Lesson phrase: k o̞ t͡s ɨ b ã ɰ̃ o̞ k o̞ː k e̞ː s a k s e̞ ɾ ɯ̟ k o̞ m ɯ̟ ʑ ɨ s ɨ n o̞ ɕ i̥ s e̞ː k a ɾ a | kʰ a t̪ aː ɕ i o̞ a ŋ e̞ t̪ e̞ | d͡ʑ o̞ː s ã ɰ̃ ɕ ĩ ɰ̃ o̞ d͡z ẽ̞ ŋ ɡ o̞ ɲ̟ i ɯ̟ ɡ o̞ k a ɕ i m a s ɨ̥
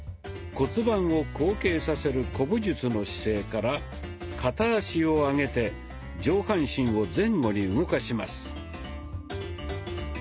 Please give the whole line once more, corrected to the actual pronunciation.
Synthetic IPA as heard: k o̞ t͡s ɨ b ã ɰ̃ o̞ k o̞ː k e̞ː s a s e̞ ɾ ɯ̟ k o̞ b ɯ̟ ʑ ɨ t͡s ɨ n o̞ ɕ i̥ s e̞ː k a ɾ a | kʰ a t̪ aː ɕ i o̞ a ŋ e̞ t̪ e̞ | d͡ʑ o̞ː h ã ɰ̃ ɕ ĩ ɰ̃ o̞ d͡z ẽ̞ ŋ ɡ o̞ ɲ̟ i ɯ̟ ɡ o̞ k a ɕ i m a s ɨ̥

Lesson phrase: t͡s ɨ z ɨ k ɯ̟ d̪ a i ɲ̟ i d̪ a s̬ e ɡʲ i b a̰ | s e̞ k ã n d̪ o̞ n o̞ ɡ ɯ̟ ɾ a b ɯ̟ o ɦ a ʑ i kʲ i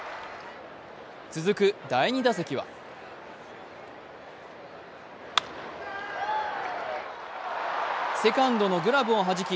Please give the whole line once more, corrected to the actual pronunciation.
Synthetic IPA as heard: t͡s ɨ z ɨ k ɯ̟ d̪ a i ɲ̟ i d̪ a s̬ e kʲ i β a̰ | s e̞ k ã n d̪ o̞ n o̞ ɡ ɯ̟ ɾ a b ɯ̟ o ɦ a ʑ i kʲ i

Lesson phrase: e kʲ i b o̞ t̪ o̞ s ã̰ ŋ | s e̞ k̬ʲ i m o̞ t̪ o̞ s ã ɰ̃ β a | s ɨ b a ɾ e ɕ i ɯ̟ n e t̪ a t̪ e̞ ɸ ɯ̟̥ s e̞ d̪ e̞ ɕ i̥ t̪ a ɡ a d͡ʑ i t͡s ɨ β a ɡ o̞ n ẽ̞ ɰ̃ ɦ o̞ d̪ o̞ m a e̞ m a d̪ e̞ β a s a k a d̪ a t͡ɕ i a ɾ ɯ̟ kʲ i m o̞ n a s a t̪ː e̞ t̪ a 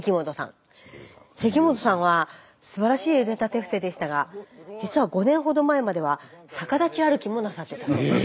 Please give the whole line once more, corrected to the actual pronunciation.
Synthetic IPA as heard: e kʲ i m o̞ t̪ o̞ s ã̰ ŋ | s e̞ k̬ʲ i m o̞ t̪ o̞ s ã ɰ̃ β a | s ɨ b a ɾ a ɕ iː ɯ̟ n e t̪ a t̪ e̞ ɸ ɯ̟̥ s e̞ d̪ e̞ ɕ i̥ t̪ a ɡ a d͡ʑ i t͡s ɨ β a ɡ o̞ n ẽ̞ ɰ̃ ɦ o̞ d̪ o̞ m a e̞ m a d̪ e̞ β a s a k a d̪ a t͡ɕ i a ɾ ɯ̟ kʲ i m o̞ n a s a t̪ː e̞ t̪ a

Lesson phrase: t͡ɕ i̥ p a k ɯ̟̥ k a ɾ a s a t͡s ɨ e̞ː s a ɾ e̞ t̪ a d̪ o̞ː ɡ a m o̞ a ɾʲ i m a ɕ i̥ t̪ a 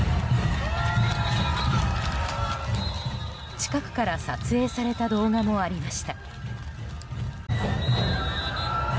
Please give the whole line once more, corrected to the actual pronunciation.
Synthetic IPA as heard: t͡ɕ i̥ k a k ɯ̟̥ k a ɾ a s a t͡s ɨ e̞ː s a ɾ e̞ t̪ a d̪ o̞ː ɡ a m o̞ a ɾʲ i m a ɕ i̥ t̪ a

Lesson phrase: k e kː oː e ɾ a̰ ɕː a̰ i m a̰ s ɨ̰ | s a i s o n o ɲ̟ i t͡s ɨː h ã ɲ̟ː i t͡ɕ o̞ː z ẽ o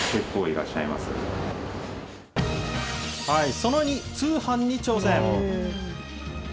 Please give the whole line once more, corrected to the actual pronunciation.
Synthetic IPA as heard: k e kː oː i ɾ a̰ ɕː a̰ i m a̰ s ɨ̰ | h a i s o n o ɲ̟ i t͡s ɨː h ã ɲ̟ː i t͡ɕ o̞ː s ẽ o

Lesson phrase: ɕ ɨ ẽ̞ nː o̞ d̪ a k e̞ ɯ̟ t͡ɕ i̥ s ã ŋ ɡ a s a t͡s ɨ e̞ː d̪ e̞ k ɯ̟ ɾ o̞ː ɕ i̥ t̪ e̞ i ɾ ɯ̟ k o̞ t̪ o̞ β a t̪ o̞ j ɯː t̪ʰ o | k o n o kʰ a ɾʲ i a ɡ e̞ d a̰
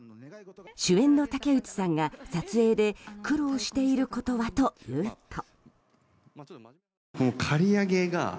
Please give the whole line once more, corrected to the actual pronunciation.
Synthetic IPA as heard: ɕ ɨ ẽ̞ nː o̞ t̪ a k e̞ ɯ̟ t͡ɕ i̥ s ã ŋ ɡ a s a t͡s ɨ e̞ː d̪ e̞ k ɯ̟ ɾ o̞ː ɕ i̥ t̪ e̞ i ɾ ɯ̟ k o̞ t̪ o̞ β a t̪ o̞ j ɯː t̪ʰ o | k o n o kʰ a ɾʲ i a ɡ e̞ ɡ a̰

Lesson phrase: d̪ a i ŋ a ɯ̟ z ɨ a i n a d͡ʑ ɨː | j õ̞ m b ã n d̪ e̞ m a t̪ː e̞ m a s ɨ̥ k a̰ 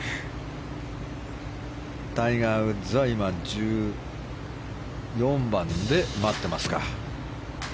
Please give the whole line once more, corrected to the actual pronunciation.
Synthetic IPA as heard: t̪ a i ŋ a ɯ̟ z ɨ a i m a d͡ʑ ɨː | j õ̞ m b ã n d̪ e̞ m a t̪ː e̞ m a s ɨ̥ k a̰

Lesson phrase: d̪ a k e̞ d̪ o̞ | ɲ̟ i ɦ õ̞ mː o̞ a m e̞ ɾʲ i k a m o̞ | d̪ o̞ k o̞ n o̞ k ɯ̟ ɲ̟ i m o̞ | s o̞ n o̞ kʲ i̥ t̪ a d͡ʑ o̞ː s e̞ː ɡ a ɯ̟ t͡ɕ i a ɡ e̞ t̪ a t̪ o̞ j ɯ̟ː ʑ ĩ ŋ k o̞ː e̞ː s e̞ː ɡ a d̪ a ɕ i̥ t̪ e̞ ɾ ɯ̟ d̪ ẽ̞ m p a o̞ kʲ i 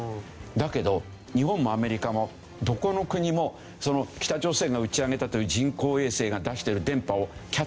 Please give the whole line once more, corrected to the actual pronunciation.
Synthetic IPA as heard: d̪ a k e̞ d̪ o̞ | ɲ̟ i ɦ õ̞ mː o̞ a m e̞ ɾʲ i k a m o̞ | d̪ o̞ k o̞ n o̞ k ɯ̟ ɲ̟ i m o̞ | s o̞ n o̞ kʲ i̥ t̪ a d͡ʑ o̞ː s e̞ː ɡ a ɯ̟ t͡ɕ i a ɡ e̞ t̪ a t̪ o̞ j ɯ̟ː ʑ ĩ ŋ k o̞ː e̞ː s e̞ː ɡ a d̪ a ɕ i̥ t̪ e̞ ɾ ɯ̟ d̪ ẽ̞ m p a o̞ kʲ a

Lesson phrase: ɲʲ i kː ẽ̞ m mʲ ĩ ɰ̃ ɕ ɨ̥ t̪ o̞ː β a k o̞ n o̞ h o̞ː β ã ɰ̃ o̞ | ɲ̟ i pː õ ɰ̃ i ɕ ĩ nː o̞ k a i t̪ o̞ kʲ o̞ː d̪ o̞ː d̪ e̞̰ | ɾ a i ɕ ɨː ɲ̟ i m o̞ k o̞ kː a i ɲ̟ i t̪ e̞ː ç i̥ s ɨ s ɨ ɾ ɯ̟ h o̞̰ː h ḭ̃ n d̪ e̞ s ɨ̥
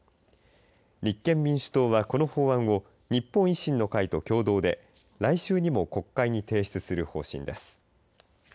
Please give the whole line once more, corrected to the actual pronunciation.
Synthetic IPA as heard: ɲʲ i kː ẽ̞ m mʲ ĩ ɰ̃ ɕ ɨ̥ t̪ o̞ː β a k o̞ n o̞ h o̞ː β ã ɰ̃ o̞ | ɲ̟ i pː õ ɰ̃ i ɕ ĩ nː o̞ k a i t̪ o̞ kʲ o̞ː d̪ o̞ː d̪ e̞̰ | ɾ a i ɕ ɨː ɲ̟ i m o̞ k o̞ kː a i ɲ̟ i t̪ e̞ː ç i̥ t͡s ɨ s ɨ ɾ ɯ̟ h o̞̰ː ɕ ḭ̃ n d̪ e̞ s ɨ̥

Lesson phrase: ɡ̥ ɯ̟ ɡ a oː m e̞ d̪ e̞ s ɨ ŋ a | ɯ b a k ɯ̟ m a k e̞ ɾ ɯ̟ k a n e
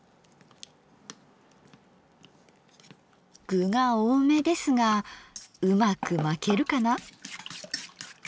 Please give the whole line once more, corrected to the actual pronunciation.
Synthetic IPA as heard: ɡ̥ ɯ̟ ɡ a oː m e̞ d̪ e̞ s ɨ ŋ a | ɯ m a k ɯ̟ m a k e̞ ɾ ɯ̟ k a n a

